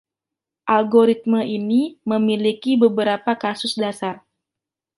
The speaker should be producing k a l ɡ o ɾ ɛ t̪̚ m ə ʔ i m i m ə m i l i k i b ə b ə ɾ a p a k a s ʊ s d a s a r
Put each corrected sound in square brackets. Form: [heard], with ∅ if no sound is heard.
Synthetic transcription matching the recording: [ʔ] a l ɡ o ɾ [i] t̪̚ m ə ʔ i [n] i m ə m i l i k i b ə b ə ɾ a p a k a s ʊ s d a s a r